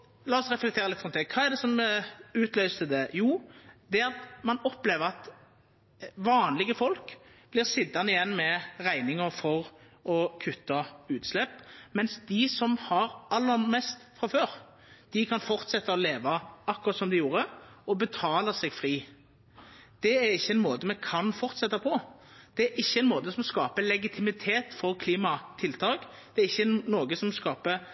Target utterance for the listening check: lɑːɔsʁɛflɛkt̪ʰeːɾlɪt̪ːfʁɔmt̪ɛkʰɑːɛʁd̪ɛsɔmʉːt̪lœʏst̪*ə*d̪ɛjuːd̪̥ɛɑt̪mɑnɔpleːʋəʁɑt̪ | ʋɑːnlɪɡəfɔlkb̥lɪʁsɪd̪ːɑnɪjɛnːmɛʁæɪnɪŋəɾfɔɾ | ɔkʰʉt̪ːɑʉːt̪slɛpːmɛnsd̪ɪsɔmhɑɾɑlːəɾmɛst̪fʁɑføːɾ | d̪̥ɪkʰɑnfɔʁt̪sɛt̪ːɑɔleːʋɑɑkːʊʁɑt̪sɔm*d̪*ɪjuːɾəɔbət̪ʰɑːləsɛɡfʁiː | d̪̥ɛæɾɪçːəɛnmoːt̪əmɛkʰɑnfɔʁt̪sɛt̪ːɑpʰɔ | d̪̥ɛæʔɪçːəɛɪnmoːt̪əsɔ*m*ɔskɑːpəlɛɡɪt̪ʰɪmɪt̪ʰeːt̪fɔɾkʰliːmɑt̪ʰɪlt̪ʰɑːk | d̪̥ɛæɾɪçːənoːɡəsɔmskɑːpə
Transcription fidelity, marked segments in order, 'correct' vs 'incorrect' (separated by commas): correct, correct, correct